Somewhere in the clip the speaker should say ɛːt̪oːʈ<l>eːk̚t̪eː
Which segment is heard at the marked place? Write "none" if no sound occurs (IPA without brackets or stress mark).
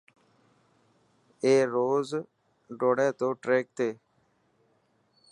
ɾ